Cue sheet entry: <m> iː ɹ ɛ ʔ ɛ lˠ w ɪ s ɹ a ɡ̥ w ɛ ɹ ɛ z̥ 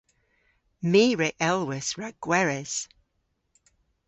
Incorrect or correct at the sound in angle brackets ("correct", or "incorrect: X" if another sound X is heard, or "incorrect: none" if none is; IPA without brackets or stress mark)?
correct